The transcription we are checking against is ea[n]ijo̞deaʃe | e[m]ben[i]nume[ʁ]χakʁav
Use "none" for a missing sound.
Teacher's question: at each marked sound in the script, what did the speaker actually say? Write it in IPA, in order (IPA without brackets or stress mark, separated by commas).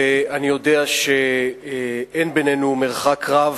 n, n, e, ʁ